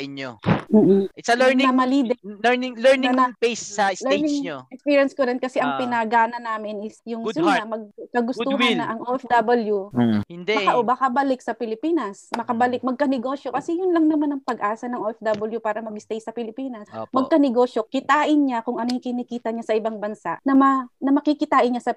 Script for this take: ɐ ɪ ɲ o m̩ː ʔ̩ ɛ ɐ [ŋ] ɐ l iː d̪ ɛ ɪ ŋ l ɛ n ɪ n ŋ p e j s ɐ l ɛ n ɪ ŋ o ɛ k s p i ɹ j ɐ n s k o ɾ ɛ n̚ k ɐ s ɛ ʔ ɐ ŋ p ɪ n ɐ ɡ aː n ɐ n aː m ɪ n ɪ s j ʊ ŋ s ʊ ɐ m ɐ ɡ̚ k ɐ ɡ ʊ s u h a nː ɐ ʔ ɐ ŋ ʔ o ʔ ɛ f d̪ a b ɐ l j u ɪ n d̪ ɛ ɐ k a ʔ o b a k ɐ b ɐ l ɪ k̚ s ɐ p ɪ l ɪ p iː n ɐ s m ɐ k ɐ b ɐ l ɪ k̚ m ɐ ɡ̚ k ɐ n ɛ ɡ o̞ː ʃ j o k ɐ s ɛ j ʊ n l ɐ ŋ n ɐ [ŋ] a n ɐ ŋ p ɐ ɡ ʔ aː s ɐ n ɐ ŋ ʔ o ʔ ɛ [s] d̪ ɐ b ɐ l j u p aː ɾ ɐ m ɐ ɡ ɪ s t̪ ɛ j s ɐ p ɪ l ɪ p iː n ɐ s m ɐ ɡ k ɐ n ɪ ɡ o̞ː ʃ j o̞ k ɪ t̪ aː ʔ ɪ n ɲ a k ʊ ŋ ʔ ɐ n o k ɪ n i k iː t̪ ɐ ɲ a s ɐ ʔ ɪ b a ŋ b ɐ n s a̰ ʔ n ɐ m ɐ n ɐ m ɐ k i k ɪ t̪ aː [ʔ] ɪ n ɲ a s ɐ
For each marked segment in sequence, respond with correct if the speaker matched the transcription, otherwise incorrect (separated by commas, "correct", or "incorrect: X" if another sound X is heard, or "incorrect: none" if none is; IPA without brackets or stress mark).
incorrect: m, incorrect: m, incorrect: f, correct